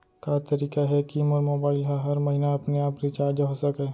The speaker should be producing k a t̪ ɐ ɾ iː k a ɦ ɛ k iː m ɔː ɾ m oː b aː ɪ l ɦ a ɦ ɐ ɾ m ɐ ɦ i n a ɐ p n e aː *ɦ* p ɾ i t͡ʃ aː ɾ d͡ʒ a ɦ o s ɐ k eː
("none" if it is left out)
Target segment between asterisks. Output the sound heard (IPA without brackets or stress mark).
none